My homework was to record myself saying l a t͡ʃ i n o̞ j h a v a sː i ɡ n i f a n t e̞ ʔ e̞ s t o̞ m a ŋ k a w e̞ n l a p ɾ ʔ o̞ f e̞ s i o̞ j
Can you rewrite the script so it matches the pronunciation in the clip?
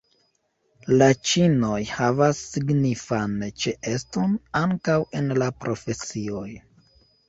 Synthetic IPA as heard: l a t͡ʃ i n o̞ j h a v a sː i ɡ n i f a n t͡ʃ e̞ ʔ e̞ s t o̞ n a ŋ k a w e̞ n l a p ɾ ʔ o̞ f e̞ s i o̞ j